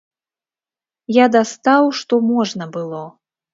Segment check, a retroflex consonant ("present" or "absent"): present